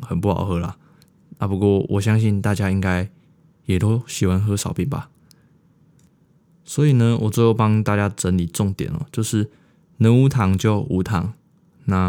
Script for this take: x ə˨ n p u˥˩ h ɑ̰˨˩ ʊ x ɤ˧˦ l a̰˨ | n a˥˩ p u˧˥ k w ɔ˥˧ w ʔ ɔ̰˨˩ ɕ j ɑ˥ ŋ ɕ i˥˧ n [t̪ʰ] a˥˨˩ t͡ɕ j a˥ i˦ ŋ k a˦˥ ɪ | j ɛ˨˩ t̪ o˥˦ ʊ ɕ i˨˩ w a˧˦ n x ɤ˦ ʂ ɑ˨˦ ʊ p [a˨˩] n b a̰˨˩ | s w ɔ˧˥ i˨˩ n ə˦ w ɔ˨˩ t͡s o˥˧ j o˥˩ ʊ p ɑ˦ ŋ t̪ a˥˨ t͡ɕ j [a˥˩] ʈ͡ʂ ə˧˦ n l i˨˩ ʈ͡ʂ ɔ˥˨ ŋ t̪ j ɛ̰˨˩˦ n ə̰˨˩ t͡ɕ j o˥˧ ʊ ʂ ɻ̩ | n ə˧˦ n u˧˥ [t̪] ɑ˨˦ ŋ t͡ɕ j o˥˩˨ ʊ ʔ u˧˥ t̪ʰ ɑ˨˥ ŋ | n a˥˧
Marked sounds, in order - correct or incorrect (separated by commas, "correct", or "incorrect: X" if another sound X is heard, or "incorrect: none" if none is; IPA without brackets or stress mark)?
incorrect: t̪, incorrect: i˨˩, incorrect: a˥, incorrect: t̪ʰ